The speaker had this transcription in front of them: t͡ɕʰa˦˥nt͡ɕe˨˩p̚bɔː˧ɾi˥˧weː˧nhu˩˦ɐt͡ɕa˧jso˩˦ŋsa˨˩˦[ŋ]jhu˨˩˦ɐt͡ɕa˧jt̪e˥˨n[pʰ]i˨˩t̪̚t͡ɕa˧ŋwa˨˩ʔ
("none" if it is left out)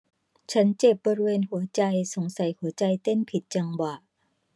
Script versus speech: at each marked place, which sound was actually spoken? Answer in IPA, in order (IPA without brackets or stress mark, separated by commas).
none, pʰ